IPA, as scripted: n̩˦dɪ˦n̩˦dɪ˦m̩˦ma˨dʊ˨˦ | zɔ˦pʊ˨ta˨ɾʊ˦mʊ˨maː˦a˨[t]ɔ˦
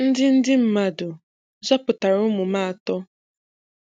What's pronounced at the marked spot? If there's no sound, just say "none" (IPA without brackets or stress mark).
t